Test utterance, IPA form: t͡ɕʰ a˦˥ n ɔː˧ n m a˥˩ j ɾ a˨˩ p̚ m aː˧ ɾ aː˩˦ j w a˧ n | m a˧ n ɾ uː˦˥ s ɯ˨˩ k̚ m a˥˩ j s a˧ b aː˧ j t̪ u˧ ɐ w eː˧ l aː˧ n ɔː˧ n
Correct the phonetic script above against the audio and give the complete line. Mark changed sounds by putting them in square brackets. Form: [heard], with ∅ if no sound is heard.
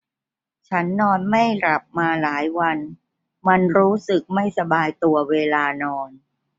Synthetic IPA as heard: t͡ɕʰ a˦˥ [nː] ɔː˧ n m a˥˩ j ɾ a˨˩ p̚ m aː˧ [l] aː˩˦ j w a˧ n | m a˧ n ɾ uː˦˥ s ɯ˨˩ k̚ m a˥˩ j s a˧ b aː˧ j t̪ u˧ ɐ w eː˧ l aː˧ n ɔː˧ n